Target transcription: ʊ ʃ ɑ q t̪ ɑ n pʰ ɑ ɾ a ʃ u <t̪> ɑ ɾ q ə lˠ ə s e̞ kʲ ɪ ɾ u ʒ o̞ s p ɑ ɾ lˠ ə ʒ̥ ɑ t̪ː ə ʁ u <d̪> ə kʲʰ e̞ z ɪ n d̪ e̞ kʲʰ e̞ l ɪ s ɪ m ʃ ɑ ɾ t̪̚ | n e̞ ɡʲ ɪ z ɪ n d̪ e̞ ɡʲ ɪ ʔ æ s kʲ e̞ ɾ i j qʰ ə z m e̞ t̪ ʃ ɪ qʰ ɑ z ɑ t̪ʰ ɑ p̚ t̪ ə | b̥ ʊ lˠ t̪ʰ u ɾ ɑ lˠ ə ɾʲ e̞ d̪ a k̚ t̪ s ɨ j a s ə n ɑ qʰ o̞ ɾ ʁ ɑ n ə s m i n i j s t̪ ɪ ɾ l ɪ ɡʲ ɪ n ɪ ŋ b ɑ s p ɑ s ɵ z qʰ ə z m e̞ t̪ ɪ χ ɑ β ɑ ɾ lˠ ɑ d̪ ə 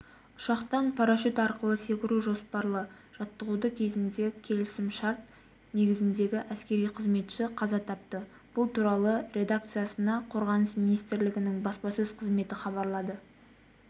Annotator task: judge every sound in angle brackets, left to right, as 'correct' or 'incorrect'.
correct, correct

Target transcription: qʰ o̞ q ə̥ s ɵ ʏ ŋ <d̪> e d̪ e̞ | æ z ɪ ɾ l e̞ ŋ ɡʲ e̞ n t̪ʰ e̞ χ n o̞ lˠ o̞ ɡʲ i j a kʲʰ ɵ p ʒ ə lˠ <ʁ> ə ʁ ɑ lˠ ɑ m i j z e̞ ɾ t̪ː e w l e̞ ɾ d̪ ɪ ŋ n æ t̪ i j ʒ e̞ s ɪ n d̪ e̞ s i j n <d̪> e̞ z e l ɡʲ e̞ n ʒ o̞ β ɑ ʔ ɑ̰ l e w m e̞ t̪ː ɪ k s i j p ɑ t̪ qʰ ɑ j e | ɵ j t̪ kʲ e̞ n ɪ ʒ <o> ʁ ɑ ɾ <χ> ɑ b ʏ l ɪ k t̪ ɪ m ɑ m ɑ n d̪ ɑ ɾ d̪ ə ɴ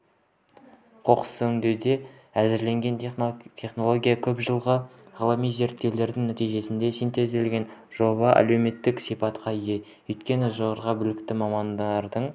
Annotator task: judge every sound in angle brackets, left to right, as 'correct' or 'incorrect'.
correct, correct, incorrect: t̪, correct, incorrect: ʁ

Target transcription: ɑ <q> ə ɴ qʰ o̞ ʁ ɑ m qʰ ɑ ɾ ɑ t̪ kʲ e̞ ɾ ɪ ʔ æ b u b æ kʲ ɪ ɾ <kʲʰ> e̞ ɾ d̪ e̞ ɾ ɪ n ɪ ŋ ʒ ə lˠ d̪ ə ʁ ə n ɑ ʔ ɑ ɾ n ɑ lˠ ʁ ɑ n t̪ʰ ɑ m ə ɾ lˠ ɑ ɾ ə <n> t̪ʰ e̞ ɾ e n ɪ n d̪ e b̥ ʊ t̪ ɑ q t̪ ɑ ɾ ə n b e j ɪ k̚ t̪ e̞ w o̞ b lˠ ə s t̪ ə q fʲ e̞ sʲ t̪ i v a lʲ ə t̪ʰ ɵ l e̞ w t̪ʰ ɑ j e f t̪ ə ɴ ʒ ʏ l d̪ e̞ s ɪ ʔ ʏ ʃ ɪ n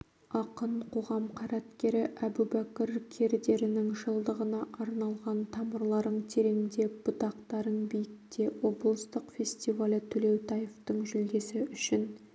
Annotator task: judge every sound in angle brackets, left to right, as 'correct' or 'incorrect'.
correct, correct, incorrect: ɴ

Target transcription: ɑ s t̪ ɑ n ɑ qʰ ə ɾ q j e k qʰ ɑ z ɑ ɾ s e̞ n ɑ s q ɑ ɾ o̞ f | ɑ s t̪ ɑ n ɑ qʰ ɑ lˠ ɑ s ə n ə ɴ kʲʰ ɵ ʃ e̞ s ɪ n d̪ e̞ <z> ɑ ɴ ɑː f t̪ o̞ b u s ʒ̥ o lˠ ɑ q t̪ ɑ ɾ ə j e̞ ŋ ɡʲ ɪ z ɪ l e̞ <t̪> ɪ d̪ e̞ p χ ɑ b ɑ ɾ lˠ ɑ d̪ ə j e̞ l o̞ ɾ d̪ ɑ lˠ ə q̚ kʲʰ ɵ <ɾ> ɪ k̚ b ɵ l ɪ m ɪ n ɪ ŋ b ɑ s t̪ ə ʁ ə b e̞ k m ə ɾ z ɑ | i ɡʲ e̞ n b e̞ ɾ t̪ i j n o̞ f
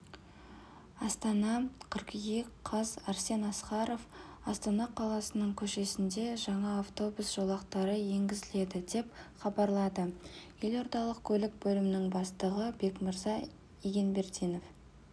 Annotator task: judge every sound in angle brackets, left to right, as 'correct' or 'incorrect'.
incorrect: ʒ, incorrect: d̪, incorrect: l

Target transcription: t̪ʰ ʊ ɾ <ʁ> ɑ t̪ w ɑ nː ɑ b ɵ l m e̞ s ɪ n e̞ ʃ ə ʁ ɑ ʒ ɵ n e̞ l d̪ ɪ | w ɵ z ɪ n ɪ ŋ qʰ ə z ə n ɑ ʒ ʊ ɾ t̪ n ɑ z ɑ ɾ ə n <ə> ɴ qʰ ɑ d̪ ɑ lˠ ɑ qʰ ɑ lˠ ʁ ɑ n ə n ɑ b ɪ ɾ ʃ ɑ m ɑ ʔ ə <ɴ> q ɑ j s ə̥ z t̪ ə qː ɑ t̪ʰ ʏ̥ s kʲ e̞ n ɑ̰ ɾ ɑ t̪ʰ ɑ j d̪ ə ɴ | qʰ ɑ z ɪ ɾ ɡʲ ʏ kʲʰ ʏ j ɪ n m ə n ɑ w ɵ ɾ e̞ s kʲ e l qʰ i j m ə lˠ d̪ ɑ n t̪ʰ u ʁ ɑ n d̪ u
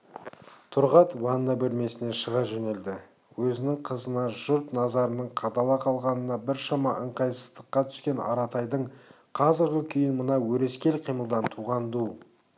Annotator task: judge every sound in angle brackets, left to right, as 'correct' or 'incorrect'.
correct, correct, correct

